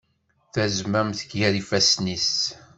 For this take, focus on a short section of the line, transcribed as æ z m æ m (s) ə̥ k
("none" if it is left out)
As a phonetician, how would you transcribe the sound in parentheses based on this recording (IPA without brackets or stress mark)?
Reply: θ